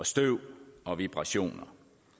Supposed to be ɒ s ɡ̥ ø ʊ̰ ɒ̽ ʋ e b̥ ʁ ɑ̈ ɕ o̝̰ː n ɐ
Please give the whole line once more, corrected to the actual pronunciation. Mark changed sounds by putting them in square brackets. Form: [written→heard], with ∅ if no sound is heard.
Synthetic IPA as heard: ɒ s [ɡ̥→d̥] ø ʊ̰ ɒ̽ ʋ [e→i] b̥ ʁ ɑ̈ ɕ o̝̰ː n ɐ